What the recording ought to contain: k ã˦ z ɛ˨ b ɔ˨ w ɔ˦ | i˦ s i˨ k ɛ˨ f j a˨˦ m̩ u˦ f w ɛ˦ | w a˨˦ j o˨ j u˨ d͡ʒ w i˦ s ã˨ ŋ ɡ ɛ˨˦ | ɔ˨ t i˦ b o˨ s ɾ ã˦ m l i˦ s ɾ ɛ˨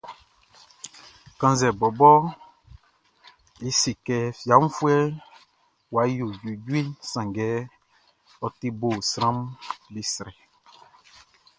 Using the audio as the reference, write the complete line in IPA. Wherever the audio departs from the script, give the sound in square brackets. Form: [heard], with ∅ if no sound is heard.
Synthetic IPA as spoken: k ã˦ z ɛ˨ b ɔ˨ [b] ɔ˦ | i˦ s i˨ k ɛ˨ f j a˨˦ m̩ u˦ f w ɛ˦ | w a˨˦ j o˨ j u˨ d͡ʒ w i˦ s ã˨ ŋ ɡ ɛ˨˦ | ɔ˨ t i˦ b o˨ s ɾ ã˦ m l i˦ s ɾ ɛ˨